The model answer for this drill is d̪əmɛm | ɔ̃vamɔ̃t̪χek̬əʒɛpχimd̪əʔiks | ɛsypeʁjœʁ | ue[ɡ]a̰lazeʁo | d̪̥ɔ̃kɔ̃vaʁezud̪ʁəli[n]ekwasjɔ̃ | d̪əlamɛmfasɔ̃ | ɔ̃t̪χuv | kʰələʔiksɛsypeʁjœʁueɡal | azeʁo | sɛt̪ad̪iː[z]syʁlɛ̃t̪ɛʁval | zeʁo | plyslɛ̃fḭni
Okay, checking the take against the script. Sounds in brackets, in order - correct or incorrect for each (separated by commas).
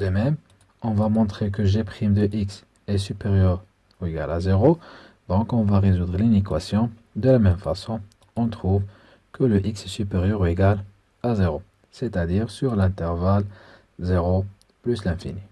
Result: correct, correct, incorrect